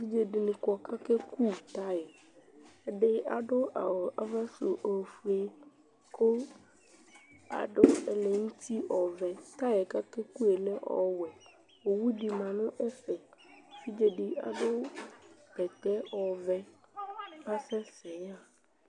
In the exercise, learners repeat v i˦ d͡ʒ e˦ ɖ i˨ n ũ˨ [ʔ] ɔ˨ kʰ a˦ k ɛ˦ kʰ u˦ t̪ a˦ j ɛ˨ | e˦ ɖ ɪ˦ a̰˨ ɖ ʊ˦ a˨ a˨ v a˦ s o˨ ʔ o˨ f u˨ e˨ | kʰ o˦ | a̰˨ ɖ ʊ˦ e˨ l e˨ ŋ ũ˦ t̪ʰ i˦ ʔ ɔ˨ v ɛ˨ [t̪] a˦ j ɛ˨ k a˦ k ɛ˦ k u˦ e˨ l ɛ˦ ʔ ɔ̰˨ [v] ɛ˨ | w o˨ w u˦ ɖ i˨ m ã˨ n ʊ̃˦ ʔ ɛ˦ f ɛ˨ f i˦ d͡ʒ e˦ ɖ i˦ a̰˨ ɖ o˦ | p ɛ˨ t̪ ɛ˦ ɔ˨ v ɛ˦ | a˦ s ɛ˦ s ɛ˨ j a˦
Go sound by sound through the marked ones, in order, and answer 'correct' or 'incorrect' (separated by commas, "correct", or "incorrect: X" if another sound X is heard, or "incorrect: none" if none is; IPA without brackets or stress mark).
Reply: incorrect: k, correct, incorrect: w